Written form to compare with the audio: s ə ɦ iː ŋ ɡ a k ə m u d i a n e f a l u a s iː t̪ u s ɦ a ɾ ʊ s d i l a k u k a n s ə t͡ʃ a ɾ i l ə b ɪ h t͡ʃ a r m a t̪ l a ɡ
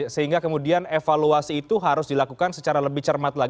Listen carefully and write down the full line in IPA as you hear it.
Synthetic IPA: s ə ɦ i ŋ ɡ a k ə m u d i a n e f a l u a s iː t̪ u ɦ a ɾ ʊ s d i l a k u k a n s ə t͡ʃ a ɾ a l ə b ɪ h t͡ʃ ə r m a t̪ l a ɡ